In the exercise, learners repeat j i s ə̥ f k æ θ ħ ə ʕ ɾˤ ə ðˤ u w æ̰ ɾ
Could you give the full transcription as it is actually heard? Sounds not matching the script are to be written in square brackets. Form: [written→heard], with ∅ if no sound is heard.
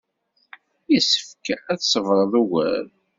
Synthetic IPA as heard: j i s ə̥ f k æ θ [ħ→s] ə [ʕ→v] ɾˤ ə ðˤ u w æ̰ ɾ

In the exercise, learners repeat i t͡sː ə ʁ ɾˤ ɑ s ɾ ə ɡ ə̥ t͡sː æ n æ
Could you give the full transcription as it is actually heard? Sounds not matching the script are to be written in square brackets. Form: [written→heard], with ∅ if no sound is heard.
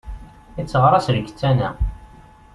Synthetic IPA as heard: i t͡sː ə ʁ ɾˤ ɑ s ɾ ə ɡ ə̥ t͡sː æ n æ

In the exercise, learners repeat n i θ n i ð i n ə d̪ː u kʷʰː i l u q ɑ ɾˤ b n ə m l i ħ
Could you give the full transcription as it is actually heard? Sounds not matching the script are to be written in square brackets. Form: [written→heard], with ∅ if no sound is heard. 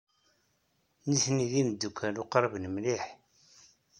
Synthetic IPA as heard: n i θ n i ð i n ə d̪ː u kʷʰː [i→æ] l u q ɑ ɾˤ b n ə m l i ħ

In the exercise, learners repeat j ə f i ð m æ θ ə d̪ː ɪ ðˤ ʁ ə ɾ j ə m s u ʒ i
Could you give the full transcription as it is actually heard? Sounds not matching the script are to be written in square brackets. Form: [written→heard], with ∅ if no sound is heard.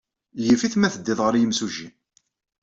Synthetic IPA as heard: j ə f i [ð→θ] m æ θ ə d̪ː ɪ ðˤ ʁ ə ɾ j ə m s u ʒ i

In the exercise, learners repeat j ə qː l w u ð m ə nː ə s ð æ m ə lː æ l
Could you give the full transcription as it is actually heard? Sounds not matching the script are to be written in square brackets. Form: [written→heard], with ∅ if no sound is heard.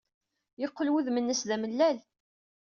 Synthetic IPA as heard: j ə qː l w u ð m ə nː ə s ð æ m ə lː æ l

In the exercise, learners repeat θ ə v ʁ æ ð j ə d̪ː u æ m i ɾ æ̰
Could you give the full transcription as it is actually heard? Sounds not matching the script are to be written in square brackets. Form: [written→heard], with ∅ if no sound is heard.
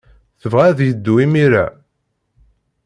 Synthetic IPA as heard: θ ə v ʁ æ ð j ə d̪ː u [æ→i] m i ɾ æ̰

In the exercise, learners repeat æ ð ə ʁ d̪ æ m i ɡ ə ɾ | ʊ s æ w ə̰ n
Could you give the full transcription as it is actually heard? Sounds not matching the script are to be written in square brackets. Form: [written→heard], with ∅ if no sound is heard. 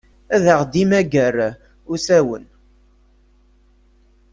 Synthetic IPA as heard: æ ð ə ʁ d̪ [æ→i] m [i→æ] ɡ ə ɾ | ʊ s æ w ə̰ n

